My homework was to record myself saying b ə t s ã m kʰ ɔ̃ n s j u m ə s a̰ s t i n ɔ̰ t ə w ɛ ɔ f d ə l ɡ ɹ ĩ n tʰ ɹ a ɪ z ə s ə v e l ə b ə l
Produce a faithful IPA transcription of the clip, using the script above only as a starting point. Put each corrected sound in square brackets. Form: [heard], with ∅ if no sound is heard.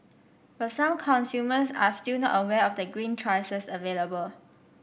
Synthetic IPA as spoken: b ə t s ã m kʰ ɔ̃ n s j u m ə s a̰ s t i n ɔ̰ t ə w ɛ ɔ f d ə [∅] ɡ ɹ ĩ n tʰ ɹ a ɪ [s] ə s ə v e l ə b ə l